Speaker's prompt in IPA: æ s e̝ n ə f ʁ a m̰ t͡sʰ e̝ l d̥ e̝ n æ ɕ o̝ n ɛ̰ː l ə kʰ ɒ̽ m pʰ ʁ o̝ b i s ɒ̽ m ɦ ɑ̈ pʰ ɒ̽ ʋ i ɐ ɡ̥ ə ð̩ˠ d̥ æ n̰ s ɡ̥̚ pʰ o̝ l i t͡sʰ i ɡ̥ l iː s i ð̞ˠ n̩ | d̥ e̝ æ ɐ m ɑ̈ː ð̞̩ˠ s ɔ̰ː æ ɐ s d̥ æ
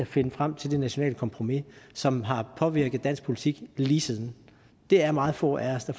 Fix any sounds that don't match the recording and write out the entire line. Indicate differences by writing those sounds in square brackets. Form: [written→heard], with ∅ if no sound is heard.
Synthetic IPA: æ [s→f] e̝ n ə f ʁ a m̰ t͡sʰ e̝ l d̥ e̝ n æ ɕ o̝ n ɛ̰ː l ə kʰ ɒ̽ m pʰ ʁ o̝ [b→m] i s ɒ̽ m ɦ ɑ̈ pʰ ɒ̽ ʋ i ɐ ɡ̥ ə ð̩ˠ d̥ æ n̰ s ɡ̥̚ pʰ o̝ l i t͡sʰ i ɡ̥ l iː s i ð̞ˠ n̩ | d̥ e̝ æ ɐ m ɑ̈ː ð̞̩ˠ [s→f] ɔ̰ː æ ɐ s d̥ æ